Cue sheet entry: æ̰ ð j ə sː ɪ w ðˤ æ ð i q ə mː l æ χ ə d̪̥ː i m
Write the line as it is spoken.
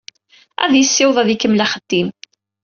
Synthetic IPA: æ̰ ð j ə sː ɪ w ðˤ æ ð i k ə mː l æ χ ə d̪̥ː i m